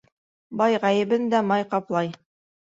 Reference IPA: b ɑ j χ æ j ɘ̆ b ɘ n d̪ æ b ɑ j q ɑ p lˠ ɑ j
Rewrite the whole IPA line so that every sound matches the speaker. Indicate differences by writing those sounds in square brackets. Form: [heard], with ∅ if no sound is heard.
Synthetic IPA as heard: b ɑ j [ʁ] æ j ɘ̆ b ɘ n d̪ æ [m] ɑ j q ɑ p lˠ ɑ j